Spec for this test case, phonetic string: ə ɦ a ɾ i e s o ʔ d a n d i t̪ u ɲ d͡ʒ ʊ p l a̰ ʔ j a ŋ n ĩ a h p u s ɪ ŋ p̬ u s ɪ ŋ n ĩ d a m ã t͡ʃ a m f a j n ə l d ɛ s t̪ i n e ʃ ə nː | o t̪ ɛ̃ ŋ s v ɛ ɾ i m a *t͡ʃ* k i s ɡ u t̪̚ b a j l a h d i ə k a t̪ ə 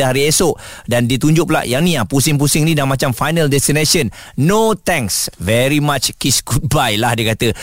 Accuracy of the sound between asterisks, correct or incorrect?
correct